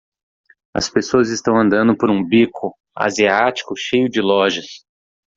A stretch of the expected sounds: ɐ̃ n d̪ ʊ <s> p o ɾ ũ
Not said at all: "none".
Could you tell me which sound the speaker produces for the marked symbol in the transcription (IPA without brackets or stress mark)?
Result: none